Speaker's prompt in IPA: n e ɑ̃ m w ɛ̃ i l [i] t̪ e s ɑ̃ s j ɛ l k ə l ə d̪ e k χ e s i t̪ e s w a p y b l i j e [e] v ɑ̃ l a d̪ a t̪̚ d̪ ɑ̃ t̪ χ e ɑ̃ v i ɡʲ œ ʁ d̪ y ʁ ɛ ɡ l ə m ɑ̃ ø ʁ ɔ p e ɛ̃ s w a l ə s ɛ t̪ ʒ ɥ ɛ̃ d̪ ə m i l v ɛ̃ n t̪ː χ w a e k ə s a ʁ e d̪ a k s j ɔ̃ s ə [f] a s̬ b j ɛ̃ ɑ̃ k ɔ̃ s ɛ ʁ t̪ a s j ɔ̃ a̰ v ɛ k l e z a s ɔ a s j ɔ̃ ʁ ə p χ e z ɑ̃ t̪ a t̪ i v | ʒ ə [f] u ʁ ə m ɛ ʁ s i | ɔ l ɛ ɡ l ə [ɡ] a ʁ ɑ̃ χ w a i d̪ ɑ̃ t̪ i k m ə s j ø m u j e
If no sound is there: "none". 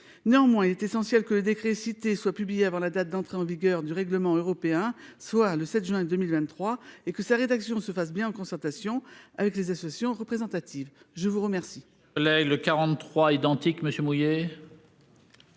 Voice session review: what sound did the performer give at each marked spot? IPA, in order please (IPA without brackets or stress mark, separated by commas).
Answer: ɛ, a, f, v, k